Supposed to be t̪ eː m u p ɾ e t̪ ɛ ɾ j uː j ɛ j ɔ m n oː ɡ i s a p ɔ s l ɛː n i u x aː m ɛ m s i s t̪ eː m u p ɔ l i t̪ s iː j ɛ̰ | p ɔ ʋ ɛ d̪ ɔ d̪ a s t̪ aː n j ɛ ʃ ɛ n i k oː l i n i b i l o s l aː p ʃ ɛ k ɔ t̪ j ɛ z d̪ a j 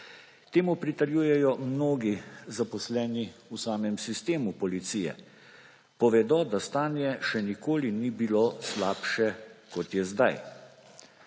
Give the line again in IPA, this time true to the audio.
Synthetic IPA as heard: t̪ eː m u p ɾ i t̪ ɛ ɾ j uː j ɛ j ɔ m n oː ɡ i z a p ɔ s l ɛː n i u s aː m ɛ m s i s t̪ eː m u p ɔ l i t̪ s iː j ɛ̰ | p ɔ ʋ ɛ d̪ ɔ d̪ a s t̪ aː n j ɛ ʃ ɛ n i k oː l i n i b i l o s l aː p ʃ ɛ k ɔ t̪ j ɛ z d̪ a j